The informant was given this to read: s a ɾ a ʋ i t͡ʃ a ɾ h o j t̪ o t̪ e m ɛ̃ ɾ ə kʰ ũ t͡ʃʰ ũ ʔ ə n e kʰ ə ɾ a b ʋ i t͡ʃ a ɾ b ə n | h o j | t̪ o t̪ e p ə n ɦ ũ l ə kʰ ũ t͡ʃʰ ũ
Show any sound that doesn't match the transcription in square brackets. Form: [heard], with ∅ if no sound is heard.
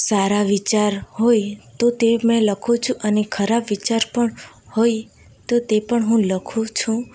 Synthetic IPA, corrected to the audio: s a ɾ a ʋ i t͡ʃ a ɾ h o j t̪ o t̪ e m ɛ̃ [l] ə kʰ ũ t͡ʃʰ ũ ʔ ə n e kʰ ə ɾ a b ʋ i t͡ʃ a ɾ [p] ə [ɳ] | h o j | t̪ o t̪ e p ə [ɳ] ɦ ũ l ə kʰ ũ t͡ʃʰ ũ